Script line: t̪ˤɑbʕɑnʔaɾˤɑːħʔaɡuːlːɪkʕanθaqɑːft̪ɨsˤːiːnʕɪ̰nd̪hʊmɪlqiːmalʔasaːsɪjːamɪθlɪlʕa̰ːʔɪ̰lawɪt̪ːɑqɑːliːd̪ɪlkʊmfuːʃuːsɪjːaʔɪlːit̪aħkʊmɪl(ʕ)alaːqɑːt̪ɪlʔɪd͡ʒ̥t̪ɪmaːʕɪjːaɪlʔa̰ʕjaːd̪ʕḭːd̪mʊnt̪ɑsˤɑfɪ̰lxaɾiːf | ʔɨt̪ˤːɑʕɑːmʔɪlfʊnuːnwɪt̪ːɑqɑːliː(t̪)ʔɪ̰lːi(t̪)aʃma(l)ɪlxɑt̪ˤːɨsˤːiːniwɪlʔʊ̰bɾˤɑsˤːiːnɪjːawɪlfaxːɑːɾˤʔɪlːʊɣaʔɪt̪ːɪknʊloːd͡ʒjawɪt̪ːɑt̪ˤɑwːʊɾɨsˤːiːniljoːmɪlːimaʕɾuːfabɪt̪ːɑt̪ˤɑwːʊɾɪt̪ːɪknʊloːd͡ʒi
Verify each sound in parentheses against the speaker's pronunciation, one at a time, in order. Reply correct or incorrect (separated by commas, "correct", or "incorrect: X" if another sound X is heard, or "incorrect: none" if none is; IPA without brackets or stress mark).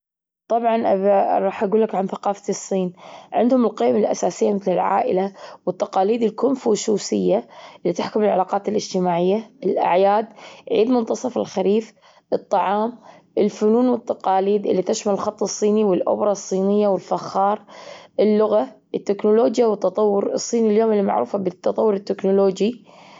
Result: correct, incorrect: d̪, correct, correct